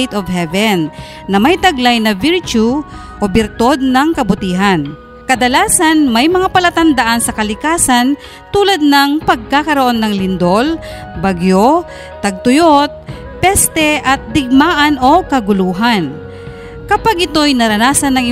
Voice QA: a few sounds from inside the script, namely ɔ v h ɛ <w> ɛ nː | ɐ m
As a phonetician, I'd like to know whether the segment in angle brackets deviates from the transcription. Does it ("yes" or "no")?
yes